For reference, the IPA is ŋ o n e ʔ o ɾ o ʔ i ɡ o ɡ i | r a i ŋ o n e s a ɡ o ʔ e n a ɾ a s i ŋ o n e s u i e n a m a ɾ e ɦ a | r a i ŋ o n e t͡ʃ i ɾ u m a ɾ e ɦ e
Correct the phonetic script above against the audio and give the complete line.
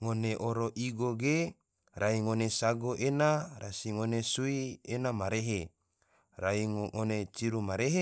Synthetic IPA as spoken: ŋ o n e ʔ o ɾ o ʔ i ɡ o ɡ e | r a i ŋ o n e s a ɡ o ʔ e n a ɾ a s i ŋ o n e s u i e n a m a ɾ e ɦ e | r a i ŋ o n e t͡ʃ i ɾ u m a ɾ e ɦ e